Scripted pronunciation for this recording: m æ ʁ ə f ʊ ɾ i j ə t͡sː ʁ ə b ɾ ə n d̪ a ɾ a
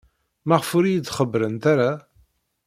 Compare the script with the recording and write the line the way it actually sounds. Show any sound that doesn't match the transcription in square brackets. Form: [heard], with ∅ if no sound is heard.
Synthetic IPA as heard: m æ ʁ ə f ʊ ɾ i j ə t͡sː [χ] ə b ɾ ə n [t̪] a ɾ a